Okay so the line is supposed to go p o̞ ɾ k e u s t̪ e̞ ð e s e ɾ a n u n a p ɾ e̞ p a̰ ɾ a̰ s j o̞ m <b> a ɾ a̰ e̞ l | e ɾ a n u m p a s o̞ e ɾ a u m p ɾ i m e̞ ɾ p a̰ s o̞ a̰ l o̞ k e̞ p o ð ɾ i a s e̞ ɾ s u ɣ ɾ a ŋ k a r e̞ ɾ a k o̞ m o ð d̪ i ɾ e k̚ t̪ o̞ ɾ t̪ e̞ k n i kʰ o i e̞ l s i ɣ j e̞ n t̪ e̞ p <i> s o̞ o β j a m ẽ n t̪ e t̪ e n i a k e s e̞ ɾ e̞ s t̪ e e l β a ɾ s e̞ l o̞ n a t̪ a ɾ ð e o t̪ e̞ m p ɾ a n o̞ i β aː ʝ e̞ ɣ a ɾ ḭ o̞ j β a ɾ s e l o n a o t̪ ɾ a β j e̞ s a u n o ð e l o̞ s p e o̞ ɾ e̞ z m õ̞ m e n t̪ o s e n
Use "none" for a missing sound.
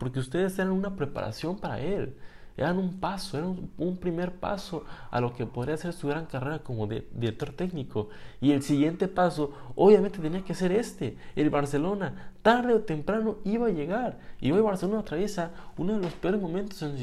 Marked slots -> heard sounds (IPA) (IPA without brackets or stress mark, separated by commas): p, a